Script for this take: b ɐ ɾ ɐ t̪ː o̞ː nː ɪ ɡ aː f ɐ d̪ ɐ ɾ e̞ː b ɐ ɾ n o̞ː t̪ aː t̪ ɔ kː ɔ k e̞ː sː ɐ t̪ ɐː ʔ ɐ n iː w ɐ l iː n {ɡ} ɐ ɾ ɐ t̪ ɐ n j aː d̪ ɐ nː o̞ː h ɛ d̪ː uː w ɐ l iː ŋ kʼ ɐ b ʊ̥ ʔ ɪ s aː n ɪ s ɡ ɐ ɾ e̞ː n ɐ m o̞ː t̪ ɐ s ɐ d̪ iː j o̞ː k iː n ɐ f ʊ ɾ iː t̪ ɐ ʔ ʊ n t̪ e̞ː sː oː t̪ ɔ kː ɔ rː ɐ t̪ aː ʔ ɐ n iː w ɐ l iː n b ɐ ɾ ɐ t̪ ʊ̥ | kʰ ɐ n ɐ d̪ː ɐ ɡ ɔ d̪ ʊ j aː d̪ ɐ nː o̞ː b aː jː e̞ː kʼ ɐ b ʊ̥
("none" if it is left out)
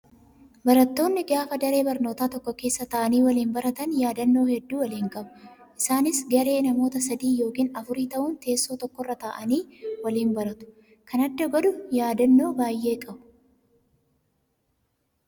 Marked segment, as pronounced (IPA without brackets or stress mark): b